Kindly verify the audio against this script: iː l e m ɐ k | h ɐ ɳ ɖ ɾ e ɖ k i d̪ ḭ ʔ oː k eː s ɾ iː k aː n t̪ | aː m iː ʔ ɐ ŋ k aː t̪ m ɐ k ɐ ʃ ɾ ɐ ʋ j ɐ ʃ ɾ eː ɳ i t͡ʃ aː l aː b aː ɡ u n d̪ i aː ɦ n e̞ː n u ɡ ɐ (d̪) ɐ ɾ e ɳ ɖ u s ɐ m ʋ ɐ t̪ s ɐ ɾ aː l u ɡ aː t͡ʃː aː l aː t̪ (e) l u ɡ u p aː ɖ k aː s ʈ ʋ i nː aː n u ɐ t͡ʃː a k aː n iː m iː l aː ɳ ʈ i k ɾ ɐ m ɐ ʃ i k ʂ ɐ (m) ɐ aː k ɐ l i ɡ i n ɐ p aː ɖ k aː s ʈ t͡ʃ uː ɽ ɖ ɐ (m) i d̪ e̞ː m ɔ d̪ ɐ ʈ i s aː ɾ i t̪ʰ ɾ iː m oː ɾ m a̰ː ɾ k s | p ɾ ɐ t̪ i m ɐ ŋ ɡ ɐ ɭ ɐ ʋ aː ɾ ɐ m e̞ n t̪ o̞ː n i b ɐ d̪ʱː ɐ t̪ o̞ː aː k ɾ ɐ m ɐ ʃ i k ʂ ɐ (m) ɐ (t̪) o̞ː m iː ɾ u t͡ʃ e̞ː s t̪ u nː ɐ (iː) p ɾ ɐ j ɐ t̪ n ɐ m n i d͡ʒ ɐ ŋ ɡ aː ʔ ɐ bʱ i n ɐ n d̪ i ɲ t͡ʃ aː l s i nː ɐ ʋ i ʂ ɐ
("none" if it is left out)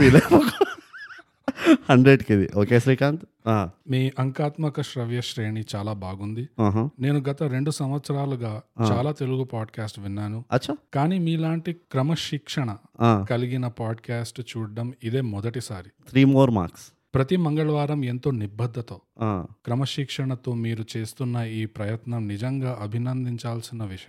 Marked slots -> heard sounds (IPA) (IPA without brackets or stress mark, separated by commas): t̪, e, ɳ, m, ɳ, t̪, iː